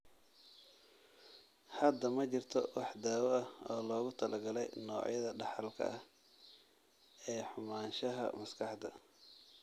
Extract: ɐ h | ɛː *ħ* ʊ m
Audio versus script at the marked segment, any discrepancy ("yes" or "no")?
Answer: no